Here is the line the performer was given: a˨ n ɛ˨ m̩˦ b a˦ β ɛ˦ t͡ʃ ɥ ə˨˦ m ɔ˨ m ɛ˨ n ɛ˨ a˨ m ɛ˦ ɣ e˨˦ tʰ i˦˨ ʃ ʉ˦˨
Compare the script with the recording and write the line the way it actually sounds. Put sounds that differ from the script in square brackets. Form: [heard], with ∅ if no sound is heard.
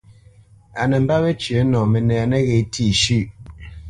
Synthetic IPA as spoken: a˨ n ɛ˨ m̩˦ b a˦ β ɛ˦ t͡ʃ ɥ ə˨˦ [n] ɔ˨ m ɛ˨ n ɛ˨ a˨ [n] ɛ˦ ɣ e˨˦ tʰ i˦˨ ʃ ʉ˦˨